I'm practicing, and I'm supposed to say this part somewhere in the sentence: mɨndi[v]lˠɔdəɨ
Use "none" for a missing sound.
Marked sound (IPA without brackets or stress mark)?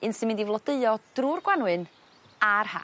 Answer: v